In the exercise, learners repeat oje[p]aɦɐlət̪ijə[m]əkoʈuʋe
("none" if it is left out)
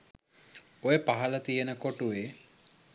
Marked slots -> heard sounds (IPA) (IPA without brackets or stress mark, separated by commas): p, n